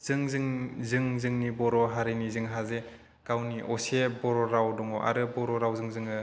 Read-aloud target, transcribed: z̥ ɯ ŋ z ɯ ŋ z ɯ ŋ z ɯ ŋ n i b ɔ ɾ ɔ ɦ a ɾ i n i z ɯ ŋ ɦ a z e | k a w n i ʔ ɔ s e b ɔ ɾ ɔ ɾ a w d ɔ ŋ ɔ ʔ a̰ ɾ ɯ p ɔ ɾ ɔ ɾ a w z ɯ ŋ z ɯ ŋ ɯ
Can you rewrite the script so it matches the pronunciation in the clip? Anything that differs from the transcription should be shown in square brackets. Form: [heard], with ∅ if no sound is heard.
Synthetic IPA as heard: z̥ ɯ ŋ z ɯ ŋ z ɯ ŋ z ɯ ŋ n i b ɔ ɾ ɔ ɦ a ɾ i n i z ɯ ŋ ɦ a z e | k a w n i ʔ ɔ s e b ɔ ɾ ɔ ɾ a w d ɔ ŋ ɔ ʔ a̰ ɾ ɯ [b] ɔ ɾ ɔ ɾ a w z ɯ ŋ z ɯ ŋ ɯ